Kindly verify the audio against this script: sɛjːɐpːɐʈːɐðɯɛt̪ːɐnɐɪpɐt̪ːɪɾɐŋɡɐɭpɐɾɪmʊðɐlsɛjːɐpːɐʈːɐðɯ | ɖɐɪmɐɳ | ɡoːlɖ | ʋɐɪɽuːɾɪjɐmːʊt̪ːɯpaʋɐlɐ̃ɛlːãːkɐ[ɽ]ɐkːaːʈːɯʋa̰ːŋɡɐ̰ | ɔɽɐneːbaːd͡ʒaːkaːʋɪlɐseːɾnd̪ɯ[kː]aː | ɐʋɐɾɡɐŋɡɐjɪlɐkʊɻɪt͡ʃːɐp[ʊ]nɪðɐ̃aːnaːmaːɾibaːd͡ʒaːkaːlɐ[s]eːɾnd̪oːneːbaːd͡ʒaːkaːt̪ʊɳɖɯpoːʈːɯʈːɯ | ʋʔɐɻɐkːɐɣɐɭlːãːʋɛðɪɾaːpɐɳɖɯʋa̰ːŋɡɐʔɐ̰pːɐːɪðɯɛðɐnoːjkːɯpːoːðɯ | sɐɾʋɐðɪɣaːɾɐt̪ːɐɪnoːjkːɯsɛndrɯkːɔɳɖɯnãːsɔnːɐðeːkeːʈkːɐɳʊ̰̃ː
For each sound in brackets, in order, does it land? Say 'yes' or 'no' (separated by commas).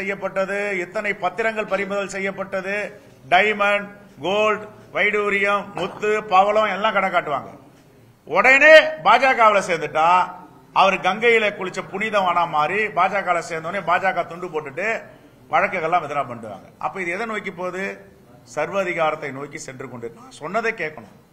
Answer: yes, no, yes, yes